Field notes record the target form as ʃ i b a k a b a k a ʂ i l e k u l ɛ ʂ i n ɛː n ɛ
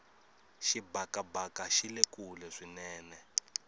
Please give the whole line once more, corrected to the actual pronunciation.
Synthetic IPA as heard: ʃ i b a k a b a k a ʃ i l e k u l ɛ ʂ i n ɛː n ɛ